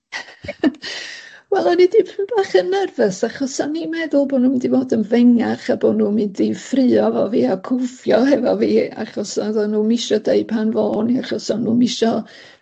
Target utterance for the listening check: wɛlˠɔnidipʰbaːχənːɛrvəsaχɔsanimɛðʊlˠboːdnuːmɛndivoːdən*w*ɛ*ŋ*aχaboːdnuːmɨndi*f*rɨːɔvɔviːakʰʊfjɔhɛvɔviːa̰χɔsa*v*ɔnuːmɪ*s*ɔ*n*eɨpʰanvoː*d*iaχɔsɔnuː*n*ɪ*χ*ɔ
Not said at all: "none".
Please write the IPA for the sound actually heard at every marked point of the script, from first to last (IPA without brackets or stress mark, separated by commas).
v, ŋ, f, ð, ʃ, d, n, m, ʃ